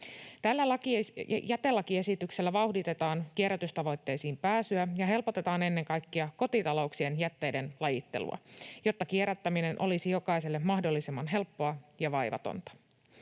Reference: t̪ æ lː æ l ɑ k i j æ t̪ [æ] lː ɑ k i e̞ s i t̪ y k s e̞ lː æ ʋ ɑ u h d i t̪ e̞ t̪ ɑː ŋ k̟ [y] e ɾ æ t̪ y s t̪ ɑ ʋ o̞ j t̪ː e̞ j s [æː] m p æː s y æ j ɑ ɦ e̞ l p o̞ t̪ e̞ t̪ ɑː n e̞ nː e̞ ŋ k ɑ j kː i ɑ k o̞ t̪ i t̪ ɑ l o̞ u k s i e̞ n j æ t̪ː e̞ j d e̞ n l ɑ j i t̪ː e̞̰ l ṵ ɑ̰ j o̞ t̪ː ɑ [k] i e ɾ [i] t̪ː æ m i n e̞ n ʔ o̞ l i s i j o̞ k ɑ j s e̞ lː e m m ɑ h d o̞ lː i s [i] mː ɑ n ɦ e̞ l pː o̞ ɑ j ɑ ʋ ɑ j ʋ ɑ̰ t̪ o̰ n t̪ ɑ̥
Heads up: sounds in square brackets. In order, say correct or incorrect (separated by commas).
incorrect, incorrect, incorrect, correct, incorrect, incorrect